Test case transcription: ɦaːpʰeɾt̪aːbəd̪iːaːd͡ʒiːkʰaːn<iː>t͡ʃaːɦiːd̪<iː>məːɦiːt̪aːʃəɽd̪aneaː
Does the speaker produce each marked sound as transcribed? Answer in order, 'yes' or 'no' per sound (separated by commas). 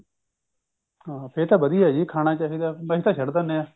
no, no